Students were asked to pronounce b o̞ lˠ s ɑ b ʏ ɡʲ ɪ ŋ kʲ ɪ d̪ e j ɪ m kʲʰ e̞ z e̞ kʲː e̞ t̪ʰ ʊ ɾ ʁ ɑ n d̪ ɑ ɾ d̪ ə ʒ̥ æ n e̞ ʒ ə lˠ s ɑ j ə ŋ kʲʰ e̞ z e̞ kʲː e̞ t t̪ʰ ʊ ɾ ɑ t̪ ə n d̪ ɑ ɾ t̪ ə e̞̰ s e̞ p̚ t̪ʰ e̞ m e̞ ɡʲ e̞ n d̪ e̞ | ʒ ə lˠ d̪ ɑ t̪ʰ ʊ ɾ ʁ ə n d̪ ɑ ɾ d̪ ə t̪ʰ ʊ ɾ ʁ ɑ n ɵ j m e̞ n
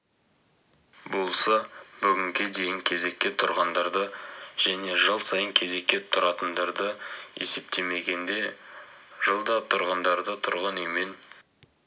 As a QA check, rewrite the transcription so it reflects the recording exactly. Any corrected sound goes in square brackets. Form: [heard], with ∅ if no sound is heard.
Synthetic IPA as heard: b o̞ lˠ s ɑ b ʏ ɡʲ ɪ ŋ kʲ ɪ d̪ e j ɪ [ŋ] kʲʰ e̞ z e̞ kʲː e̞ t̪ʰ ʊ ɾ ʁ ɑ n d̪ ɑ ɾ d̪ ə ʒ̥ æ n e̞ ʒ ə lˠ s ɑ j ə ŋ kʲʰ e̞ z e̞ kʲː e̞ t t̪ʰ ʊ ɾ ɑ t̪ ə n d̪ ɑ ɾ [d̪] ə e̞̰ s e̞ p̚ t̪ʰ e̞ m e̞ ɡʲ e̞ n d̪ e̞ | ʒ ə lˠ d̪ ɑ t̪ʰ ʊ ɾ ʁ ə n d̪ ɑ ɾ d̪ ə t̪ʰ ʊ ɾ ʁ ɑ n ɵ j m e̞ n